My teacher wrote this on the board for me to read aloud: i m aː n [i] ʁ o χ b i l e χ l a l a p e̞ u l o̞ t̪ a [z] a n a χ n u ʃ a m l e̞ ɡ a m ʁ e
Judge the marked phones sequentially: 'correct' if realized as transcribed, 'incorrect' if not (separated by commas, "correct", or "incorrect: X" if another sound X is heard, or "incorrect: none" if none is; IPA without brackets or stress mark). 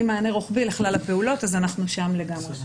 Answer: incorrect: e, correct